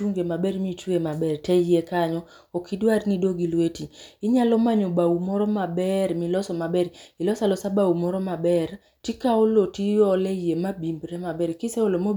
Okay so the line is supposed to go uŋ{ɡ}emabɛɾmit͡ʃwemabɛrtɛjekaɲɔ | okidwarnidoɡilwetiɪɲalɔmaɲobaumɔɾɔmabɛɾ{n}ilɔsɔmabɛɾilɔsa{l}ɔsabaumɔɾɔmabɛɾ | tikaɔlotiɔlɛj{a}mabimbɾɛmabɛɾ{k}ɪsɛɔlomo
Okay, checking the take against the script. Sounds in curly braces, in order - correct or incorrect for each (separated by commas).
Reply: correct, incorrect, correct, incorrect, correct